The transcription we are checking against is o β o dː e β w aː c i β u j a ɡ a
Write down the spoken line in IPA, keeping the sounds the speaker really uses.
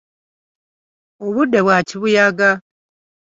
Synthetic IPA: o β u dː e β w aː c i β u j a ɡ a